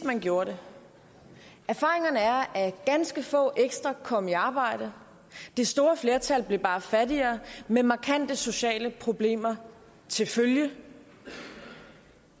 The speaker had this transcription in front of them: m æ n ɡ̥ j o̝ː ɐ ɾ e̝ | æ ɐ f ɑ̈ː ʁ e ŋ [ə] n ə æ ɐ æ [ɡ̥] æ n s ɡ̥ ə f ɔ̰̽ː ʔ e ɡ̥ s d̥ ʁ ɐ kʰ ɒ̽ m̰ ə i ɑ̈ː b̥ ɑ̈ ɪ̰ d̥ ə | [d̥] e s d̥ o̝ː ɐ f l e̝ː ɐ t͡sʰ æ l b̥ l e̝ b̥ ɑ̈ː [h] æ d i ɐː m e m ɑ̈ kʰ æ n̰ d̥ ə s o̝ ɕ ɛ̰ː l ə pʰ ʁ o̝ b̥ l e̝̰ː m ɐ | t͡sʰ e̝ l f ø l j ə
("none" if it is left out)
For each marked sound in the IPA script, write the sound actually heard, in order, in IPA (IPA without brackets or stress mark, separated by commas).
ɐ, ɡ̥, d̥, f